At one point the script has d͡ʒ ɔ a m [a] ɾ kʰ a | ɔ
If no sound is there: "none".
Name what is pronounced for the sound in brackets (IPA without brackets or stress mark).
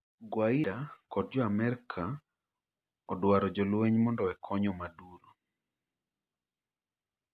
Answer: ɛ